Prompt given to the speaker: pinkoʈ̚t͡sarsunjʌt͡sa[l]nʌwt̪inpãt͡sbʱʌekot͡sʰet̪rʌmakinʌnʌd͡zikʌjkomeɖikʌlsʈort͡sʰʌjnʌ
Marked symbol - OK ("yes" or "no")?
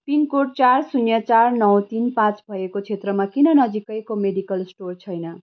no